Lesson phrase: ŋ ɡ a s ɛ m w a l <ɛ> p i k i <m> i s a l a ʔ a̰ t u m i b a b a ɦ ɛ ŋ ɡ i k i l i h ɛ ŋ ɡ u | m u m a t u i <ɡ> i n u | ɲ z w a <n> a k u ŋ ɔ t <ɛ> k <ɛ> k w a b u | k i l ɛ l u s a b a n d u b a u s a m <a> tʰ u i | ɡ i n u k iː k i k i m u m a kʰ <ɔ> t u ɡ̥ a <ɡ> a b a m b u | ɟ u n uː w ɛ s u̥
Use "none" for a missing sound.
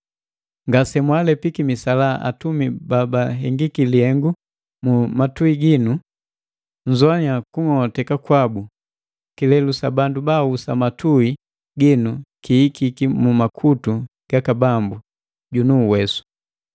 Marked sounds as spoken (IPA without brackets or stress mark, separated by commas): ɛ, m, ɡ, ɲ, ɛ, a, a, u, k